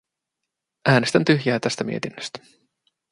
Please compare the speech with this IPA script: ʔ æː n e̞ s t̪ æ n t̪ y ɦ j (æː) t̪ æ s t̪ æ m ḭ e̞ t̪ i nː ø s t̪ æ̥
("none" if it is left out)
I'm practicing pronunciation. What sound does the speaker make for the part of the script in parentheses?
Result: æː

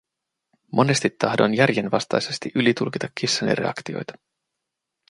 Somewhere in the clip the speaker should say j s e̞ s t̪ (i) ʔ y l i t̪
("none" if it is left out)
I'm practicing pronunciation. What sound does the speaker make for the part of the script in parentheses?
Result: i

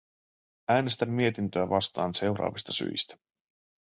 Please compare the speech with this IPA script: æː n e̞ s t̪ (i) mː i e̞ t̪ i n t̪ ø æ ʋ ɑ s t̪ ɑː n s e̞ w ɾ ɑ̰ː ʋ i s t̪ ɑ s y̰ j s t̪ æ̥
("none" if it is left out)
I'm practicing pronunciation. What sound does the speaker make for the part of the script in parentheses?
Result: æ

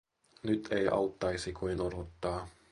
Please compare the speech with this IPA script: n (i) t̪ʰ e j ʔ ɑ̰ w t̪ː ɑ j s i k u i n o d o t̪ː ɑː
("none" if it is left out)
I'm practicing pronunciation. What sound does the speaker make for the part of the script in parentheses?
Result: y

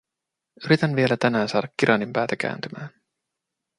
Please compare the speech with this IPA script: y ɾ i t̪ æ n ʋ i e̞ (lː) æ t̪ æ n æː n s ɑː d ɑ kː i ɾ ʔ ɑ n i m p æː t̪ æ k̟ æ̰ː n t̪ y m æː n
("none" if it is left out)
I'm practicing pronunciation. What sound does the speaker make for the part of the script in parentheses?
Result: l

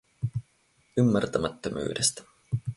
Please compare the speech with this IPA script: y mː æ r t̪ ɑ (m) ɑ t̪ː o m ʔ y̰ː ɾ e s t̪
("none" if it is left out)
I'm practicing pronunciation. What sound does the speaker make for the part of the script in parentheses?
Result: m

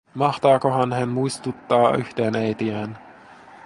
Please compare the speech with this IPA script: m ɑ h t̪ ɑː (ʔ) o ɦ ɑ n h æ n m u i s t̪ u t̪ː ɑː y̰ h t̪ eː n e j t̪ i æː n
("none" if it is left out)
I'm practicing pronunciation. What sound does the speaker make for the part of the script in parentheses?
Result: k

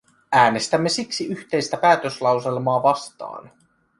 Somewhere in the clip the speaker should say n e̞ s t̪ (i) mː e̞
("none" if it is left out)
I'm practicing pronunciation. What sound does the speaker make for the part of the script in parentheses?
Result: æ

